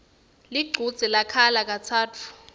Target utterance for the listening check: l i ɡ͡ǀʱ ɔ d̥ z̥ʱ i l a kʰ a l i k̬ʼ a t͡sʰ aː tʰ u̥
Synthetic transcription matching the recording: l i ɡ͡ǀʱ u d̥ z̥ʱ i l a kʰ a l a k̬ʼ a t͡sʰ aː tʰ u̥